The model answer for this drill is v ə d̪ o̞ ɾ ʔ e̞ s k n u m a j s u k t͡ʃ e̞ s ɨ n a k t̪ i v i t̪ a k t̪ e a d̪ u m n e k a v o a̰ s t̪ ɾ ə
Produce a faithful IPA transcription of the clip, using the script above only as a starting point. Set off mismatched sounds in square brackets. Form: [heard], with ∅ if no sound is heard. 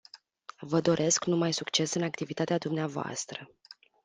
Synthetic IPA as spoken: v ə d̪ o̞ ɾ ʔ e̞ s k n u m a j s u k t͡ʃ e̞ s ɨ n a k t̪ i v i t̪ a [∅] t̪ e a d̪ u m n e [∅] a v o a̰ s t̪ ɾ ə